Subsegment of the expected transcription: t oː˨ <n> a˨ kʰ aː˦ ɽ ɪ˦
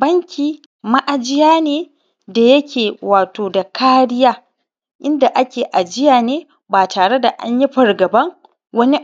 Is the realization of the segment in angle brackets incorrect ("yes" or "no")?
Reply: yes